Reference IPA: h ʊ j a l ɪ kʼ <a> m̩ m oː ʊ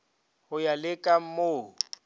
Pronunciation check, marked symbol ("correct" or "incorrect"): correct